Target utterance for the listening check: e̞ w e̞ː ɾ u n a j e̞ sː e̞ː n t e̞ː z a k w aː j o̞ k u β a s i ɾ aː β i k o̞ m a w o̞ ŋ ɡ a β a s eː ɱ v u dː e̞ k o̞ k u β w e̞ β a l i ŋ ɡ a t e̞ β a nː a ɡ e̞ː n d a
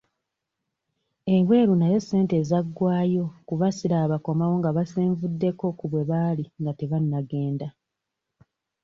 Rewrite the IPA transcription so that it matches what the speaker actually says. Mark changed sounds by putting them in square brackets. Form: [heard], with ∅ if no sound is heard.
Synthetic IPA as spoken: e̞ w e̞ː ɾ u n a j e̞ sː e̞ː n t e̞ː z a [ɡ] w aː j o̞ k u β a s i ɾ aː β [a] k o̞ m a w o̞ ŋ ɡ a β a s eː ɱ v u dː e̞ k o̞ k u β w e̞ β a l i ŋ ɡ a t e̞ β a nː a ɡ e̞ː n d a

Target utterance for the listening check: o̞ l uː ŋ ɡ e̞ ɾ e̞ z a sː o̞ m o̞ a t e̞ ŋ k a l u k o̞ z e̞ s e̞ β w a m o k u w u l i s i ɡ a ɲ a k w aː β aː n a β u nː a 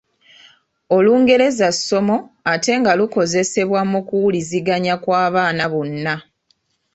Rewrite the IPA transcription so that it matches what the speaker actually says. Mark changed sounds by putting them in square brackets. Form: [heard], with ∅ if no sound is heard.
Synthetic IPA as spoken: o̞ l uː ŋ ɡ e̞ ɾ e̞ z a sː o̞ m o̞ a t e̞ ŋ [ɡ] a l u k o̞ z e̞ s e̞ β w a m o k u w u l i [z] i ɡ a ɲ a k w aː β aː n a β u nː a

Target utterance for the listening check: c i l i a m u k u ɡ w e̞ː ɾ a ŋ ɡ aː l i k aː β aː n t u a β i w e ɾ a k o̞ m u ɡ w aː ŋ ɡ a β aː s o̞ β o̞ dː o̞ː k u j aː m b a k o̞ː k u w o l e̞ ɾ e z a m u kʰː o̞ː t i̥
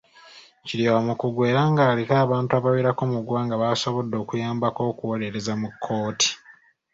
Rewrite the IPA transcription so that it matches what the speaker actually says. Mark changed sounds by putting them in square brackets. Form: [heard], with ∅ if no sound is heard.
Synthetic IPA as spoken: c i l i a m u k u ɡ w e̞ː ɾ a ŋ ɡ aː l i k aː β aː n t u a β [a] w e ɾ a k o̞ m u ɡ w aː ŋ ɡ a β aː s o̞ β o̞ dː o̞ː k u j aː m b a k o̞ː k u w o l e̞ ɾ e z a m u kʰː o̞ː t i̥

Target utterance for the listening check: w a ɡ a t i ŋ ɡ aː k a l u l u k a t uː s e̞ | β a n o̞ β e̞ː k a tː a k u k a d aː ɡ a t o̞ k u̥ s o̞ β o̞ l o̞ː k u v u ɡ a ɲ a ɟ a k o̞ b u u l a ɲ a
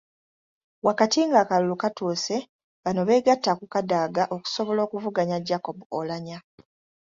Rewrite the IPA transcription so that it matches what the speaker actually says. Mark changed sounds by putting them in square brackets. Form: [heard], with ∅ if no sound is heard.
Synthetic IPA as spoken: w a [k] a t i ŋ ɡ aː k a l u l u k a t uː s e̞ | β a n o̞ β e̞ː [ɡ] a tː a k u k a d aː ɡ a [ʔ] o̞ k u̥ s o̞ β o̞ l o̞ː k u v u ɡ a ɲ a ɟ a k o̞ b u [o] l a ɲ a

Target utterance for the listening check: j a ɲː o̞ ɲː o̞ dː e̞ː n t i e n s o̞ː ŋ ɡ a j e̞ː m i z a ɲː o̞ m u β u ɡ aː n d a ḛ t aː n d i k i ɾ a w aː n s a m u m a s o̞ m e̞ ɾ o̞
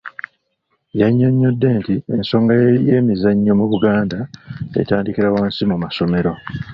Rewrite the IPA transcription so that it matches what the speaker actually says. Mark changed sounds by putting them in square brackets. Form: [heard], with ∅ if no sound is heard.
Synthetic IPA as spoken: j a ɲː o̞ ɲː o̞ dː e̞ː n t i e n s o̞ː ŋ ɡ a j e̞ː m i z a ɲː o̞ m u β u ɡ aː n d a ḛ t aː n d i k i ɾ a w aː n s [i] m u m a s o̞ m e̞ ɾ o̞

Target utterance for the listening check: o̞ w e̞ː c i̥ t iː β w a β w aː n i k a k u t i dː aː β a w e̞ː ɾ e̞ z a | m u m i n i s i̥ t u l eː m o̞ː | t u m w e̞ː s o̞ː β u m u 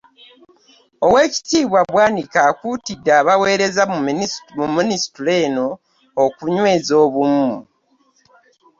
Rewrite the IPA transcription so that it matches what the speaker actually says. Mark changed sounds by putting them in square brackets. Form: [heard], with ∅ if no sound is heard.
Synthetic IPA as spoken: o̞ w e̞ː c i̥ t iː β w a β w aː n i k a k u t i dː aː β a w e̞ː ɾ e̞ z a | m u m i n i s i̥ t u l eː [n] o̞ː | [k] u [ɲ] w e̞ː [z] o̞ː β u m u

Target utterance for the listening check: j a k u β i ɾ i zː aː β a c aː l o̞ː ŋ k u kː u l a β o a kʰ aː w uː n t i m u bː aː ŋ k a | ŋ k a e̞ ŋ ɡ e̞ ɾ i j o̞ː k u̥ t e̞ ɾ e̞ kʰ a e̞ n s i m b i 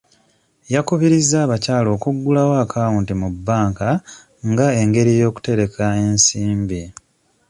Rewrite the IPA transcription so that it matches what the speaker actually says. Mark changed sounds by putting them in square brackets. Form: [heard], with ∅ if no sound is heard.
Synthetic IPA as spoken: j a k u β i ɾ i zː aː β a c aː l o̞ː [∅] k u [ɡː] u l a [w] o a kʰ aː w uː n t i m u bː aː ŋ k a | ŋ [ɡ] a e̞ ŋ ɡ e̞ ɾ i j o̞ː k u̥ t e̞ ɾ e̞ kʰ a e̞ n s [iː] m b i

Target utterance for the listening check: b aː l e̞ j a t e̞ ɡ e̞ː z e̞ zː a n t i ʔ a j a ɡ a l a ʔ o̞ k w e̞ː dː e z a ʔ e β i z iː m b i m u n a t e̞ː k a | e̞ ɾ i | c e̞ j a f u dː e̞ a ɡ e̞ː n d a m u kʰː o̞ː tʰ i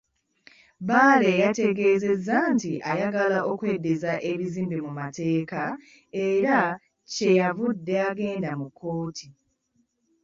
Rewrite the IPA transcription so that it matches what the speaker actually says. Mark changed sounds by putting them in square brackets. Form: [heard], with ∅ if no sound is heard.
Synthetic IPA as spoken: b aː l e̞ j a t e̞ ɡ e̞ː z e̞ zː a n t i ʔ a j a ɡ a l a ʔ o̞ k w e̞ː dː e z a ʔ e β i z iː m b i m u [m] a t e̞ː k a | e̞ ɾ [a] | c e̞ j a [v] u dː e̞ a ɡ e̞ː n d a m u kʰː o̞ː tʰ i

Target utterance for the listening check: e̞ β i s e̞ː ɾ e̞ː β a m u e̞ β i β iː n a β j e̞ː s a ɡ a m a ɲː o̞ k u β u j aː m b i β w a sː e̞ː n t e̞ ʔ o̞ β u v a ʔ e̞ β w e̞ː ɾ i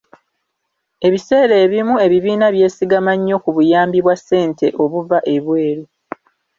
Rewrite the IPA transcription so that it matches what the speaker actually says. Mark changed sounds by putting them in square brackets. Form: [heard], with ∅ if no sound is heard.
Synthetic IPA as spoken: e̞ β i s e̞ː ɾ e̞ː β [i] m u e̞ β i β iː n a β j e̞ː s [i] ɡ a m a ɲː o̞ k u β u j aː m b i β w a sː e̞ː n t e̞ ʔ o̞ β u v a ʔ e̞ β w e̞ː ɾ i

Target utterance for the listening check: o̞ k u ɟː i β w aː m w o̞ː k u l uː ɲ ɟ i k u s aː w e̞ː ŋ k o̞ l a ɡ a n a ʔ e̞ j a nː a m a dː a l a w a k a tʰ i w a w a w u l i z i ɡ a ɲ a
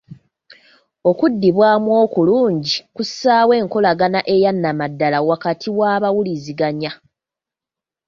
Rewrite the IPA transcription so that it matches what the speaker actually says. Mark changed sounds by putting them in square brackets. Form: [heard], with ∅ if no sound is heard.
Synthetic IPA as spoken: o̞ k u [dː] i β w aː m w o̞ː k u l uː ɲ ɟ i k u s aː w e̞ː ŋ k o̞ l a ɡ a n a ʔ e̞ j a nː a m a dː a l a w a k a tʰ i w a [β] a w u l i z i ɡ a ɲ a

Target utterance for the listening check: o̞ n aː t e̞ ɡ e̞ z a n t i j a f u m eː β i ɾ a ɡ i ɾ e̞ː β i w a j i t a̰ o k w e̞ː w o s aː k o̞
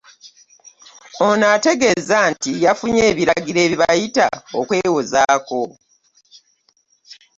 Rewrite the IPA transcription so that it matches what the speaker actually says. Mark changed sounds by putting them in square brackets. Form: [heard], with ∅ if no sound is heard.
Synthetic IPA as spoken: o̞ n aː t e̞ ɡ e̞ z a n t i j a f u [ɲ] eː β i ɾ a ɡ i ɾ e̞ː β i [β] a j i t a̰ o k w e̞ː w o [z] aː k o̞

